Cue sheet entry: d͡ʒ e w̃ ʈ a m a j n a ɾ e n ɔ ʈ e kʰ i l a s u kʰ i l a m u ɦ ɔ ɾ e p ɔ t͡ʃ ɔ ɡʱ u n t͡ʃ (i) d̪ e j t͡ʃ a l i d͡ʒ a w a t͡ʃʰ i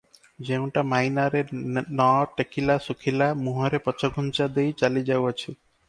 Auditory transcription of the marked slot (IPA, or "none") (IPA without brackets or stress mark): a